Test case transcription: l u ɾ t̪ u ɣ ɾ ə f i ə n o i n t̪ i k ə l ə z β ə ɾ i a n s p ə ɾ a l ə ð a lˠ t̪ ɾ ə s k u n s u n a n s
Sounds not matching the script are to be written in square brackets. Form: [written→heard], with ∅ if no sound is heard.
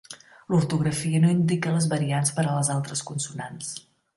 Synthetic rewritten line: l u ɾ t̪ u ɣ ɾ ə f i ə n o i n [t̪→d̪] i k ə l ə z β ə ɾ i a n s p ə ɾ [a→ə] l ə [ð→z] a lˠ t̪ ɾ ə s k u n s u n a n s